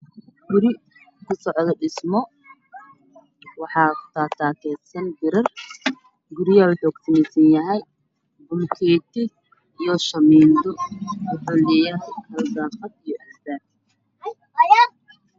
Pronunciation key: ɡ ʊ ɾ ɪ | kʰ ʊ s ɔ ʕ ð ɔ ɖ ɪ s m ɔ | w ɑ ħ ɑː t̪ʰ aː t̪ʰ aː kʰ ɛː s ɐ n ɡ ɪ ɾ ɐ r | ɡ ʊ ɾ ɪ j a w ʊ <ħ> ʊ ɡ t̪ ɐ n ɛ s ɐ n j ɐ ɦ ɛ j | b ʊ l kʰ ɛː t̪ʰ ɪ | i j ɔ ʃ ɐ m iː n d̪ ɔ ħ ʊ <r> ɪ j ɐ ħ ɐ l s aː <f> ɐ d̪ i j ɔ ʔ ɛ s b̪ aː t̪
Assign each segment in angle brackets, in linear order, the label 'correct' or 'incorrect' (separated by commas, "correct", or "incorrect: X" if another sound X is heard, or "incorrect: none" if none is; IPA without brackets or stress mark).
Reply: correct, incorrect: l, correct